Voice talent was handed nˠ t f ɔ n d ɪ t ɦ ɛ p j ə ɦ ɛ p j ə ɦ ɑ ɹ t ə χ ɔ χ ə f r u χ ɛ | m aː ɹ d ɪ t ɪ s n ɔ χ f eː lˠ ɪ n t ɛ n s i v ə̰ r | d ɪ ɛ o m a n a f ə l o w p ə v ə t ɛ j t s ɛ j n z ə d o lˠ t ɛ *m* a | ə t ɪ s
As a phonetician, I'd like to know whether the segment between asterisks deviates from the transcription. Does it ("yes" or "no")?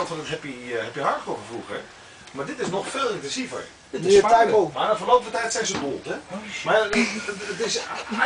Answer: no